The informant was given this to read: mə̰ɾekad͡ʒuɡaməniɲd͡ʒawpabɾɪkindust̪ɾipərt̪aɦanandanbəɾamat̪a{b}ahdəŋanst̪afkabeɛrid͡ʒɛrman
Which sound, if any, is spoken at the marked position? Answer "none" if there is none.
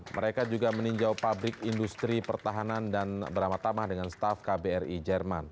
m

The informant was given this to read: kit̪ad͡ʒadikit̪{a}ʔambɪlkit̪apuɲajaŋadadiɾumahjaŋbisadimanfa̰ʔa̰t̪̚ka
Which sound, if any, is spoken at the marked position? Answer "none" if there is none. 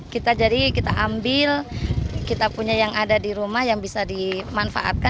a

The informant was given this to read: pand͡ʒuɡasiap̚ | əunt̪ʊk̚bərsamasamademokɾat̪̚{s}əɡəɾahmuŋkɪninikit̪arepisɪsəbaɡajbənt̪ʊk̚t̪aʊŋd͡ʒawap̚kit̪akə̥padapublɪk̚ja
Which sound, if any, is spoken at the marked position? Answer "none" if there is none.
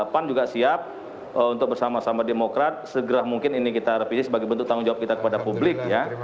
s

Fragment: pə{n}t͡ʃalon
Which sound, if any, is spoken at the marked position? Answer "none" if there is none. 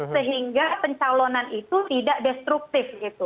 ɲ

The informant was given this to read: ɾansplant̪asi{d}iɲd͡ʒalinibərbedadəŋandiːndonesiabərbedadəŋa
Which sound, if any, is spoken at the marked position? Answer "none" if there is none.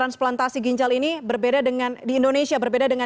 ɡ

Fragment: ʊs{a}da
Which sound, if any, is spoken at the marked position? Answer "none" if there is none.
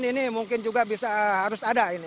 a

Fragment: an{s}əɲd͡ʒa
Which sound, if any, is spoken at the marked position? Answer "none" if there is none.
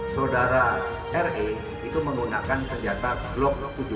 s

